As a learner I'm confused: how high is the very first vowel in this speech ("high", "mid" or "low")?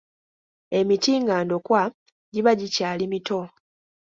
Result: mid